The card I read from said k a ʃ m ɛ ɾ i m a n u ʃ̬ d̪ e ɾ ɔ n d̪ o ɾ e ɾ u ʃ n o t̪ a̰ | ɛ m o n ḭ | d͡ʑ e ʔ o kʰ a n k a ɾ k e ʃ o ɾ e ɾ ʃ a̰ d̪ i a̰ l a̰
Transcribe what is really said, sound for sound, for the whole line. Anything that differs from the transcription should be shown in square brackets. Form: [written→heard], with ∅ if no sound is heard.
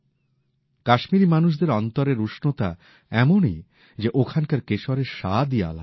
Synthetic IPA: k a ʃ m [ɛ→i] ɾ i m a n u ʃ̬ d̪ e ɾ ɔ n [d̪→t̪] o ɾ e ɾ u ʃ n o t̪ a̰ | ɛ m o n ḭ | d͡ʑ e ʔ o kʰ a n k a ɾ k e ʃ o ɾ e ɾ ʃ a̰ d̪ i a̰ l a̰